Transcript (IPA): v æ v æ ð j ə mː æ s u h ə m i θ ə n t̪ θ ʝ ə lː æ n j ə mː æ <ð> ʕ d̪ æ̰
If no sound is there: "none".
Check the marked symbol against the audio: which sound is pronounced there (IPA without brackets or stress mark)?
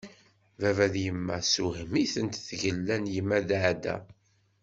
ð